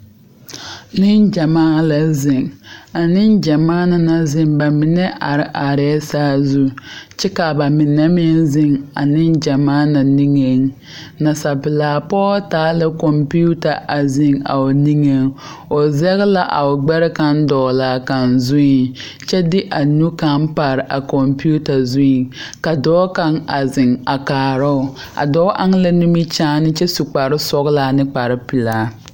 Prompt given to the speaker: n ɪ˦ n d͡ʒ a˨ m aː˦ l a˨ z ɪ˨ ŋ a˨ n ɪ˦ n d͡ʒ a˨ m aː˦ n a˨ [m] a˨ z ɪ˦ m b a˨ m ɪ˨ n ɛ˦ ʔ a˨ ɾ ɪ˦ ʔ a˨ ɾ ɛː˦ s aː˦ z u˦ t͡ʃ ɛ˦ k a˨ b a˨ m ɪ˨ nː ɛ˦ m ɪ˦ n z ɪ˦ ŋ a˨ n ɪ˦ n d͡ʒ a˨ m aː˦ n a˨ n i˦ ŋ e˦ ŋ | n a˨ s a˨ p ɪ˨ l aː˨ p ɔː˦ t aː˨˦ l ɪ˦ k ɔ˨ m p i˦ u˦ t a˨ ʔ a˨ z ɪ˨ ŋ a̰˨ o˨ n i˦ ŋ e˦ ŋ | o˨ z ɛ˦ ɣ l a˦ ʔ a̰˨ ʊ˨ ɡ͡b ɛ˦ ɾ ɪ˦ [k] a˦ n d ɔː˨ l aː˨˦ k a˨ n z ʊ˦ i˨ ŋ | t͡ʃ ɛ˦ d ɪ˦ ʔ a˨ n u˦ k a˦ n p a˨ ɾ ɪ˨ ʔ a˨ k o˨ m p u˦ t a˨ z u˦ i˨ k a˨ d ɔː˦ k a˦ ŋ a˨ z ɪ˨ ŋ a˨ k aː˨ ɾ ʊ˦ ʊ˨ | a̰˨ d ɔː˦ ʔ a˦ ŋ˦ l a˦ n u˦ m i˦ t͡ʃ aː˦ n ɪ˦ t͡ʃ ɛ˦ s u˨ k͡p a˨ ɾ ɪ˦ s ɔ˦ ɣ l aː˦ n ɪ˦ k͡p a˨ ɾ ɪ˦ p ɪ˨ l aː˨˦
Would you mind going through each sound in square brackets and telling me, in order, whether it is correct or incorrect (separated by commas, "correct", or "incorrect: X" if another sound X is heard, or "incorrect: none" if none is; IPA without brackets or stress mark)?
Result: incorrect: n, correct